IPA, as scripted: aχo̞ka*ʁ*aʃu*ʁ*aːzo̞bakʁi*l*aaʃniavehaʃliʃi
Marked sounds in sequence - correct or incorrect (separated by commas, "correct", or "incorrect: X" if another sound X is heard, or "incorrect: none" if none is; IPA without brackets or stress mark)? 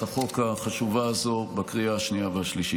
incorrect: χ, incorrect: v, incorrect: none